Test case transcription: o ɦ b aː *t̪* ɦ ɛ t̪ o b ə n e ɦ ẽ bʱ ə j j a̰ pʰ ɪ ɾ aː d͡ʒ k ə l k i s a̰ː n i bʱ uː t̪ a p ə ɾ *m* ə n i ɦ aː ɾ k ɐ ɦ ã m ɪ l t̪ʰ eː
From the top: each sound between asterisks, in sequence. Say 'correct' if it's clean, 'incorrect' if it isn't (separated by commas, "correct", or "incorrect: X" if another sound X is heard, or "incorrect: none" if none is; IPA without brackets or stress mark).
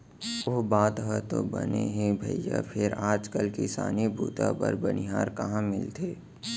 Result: correct, incorrect: b